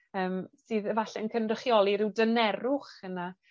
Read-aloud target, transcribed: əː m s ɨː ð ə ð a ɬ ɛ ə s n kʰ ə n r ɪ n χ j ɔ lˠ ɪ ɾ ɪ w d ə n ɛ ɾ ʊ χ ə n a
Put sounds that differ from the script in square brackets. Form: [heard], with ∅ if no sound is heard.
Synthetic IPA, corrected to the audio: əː m s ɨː ð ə [v] a ɬ ɛ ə [∅] n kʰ ə n r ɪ [∅] χ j ɔ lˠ [i] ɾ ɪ w d ə n ɛ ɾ ʊ χ ə n a